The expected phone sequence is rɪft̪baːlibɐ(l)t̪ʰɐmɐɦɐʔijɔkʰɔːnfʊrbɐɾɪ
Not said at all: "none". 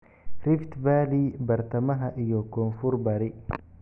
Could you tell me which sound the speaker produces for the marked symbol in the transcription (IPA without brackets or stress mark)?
r